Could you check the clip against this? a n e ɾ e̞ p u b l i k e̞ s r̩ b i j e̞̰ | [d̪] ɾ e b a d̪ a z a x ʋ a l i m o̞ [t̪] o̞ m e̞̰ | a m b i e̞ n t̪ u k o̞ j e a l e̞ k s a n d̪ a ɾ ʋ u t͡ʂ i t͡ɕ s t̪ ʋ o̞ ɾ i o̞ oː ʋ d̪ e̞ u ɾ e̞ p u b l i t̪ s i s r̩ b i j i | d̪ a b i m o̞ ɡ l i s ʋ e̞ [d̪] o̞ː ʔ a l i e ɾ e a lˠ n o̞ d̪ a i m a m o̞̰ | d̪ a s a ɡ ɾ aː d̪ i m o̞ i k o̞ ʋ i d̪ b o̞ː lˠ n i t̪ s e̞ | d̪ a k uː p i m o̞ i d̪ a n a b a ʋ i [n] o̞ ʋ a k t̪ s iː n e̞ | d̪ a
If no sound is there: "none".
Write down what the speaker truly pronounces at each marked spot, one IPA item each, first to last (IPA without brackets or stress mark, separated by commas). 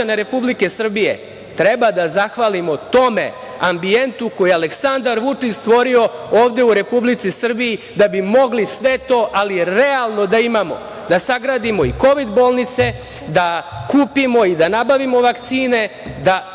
t̪, t̪, t̪, m